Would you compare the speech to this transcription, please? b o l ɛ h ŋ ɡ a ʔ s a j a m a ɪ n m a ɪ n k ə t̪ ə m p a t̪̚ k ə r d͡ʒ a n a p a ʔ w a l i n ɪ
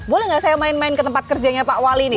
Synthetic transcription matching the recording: b o l ɛ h ŋ ɡ a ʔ s a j a m a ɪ n m a ɪ n k ə t̪ ə m p a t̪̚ k ə r d͡ʒ a ɲ a p a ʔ w a l i n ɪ